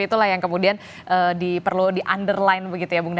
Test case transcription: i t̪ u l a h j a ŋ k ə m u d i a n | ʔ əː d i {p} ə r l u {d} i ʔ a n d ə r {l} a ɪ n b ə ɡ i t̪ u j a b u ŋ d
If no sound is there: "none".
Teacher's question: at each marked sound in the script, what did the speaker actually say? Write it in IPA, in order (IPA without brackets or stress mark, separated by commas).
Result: p, d, l